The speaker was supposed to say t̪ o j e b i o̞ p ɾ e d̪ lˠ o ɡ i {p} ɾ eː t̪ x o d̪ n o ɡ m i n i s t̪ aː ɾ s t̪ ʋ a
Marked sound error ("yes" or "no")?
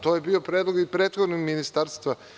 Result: no